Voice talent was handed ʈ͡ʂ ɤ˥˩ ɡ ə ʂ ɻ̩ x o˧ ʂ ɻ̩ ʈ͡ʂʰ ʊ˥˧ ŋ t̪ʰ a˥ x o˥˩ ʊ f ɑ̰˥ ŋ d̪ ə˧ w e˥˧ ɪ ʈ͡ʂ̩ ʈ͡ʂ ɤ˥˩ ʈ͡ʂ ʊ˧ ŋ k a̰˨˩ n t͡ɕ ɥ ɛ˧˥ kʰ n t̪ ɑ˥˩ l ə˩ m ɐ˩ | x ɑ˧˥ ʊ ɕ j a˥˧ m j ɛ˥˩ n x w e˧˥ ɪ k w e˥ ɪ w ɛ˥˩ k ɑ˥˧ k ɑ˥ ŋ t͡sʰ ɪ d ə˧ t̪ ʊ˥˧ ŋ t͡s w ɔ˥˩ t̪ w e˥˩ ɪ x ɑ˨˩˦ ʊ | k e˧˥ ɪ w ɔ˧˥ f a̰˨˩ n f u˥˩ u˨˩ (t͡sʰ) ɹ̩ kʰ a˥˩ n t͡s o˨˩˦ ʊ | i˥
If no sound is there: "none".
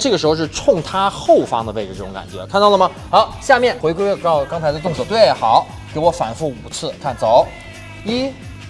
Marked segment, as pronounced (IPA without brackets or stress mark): t͡sʰ